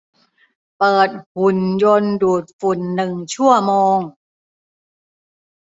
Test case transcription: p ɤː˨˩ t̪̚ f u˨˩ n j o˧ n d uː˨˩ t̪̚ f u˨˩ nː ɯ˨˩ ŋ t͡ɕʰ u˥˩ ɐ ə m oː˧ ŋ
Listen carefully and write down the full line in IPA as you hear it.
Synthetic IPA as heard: p ɤː˨˩ t̪̚ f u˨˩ n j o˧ n d uː˨˩ t̪̚ f u˨˩ nː ɯ˨˩ ŋ t͡ɕʰ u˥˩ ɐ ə m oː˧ ŋ

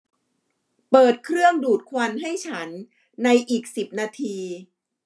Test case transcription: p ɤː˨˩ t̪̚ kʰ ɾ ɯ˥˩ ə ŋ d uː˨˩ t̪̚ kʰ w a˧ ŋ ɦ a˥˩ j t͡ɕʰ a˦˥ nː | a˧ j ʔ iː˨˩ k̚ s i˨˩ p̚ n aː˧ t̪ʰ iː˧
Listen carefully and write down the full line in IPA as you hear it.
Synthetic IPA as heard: p ɤː˨˩ t̪̚ kʰ ɾ ɯ˥˩ ə ŋ d uː˨˩ t̪̚ kʰ w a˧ n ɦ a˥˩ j t͡ɕʰ a˦˥ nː | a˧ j ʔ iː˨˩ k̚ s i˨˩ p̚ n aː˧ t̪ʰ iː˧

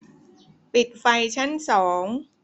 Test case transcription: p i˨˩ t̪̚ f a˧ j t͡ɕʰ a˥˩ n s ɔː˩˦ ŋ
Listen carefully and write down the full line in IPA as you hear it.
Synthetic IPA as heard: p i˨˩ t̪̚ f a˧ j t͡ɕʰ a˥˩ n s ɔː˩˦ ŋ

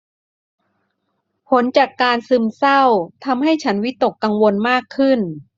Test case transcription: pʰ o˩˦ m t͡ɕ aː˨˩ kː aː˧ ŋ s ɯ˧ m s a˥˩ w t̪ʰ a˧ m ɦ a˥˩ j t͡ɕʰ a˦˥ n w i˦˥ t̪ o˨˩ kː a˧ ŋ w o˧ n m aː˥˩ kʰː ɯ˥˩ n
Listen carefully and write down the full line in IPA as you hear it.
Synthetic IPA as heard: pʰ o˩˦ n t͡ɕ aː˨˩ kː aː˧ n s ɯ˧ m s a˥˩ w t̪ʰ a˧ m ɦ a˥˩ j t͡ɕʰ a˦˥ n w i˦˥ t̪ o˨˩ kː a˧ ŋ w o˧ n m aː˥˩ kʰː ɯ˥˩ n

